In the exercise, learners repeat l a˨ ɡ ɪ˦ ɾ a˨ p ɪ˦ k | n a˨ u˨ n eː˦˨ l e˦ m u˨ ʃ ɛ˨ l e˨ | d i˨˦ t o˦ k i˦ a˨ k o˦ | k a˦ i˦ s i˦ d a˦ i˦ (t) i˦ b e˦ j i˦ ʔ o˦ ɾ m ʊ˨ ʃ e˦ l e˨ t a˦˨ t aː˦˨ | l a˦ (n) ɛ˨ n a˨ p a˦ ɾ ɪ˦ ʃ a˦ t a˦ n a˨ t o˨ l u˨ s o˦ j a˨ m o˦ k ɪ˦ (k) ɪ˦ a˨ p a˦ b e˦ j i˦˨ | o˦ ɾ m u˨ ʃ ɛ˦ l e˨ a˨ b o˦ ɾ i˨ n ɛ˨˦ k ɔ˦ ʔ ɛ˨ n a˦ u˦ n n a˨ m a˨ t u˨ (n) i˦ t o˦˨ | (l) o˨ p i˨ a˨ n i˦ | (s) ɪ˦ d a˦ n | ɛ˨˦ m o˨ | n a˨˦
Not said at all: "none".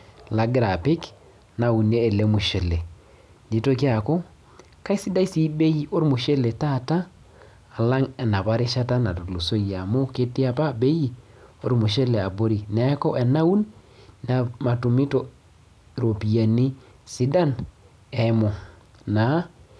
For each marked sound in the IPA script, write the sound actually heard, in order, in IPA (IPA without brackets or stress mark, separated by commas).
s, ŋ, t, m, ɾ, s